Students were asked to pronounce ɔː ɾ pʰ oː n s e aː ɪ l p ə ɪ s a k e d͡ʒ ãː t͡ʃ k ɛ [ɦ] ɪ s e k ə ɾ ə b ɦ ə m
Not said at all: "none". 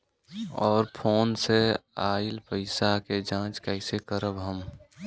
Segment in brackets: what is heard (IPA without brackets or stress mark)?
none